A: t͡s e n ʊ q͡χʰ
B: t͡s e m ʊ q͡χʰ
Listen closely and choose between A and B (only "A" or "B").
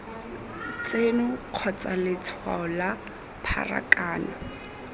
A